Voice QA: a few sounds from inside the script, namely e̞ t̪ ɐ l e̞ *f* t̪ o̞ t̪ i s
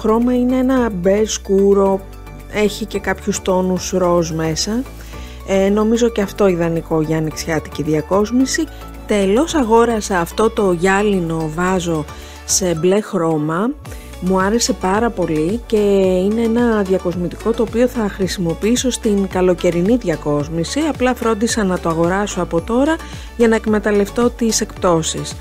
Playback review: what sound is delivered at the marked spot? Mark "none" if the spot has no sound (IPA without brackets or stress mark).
f